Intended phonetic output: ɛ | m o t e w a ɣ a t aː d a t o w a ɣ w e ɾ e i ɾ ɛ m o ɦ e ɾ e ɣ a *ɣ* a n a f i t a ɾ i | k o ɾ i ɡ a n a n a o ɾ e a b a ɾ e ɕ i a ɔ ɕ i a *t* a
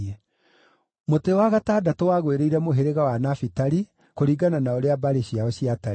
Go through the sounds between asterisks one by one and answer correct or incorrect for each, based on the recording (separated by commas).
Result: incorrect, correct